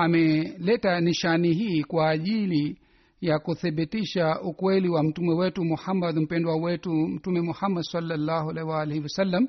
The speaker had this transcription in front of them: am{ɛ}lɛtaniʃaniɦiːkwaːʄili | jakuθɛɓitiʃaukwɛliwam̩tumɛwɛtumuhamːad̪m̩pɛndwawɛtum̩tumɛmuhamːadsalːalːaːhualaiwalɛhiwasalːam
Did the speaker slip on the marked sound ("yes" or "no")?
no